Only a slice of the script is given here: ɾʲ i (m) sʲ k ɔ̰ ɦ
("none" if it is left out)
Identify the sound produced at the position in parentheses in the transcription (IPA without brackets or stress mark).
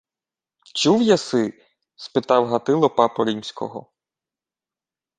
m